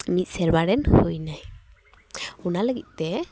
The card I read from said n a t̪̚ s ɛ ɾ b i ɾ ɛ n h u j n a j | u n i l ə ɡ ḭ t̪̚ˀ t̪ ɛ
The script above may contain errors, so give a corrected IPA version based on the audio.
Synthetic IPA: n i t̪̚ s ɛ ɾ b a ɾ ɛ n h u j n a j | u n a l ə ɡ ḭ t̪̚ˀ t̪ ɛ